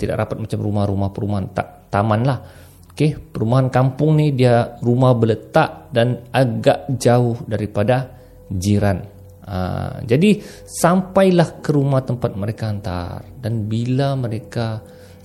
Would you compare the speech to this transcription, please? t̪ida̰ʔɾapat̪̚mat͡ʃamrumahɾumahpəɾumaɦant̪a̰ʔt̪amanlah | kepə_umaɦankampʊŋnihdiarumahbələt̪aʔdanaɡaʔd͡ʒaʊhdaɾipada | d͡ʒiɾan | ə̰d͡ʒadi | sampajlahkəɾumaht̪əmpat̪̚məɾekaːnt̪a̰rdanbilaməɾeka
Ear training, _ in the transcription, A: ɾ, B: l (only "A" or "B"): A